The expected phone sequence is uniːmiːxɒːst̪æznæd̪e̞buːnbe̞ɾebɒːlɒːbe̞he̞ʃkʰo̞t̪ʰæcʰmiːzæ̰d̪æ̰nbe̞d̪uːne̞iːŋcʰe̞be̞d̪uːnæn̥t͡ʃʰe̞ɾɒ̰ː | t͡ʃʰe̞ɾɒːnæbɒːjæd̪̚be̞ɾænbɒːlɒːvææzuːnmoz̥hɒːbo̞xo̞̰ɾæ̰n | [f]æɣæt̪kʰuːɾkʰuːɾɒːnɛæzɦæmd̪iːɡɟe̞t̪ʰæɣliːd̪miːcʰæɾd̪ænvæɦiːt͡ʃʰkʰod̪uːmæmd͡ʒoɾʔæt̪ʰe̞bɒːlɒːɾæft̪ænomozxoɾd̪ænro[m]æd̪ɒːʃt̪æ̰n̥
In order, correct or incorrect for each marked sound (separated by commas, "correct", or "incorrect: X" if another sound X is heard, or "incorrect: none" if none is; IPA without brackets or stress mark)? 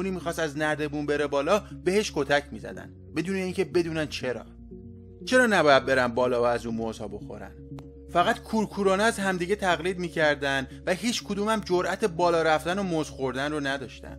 correct, incorrect: n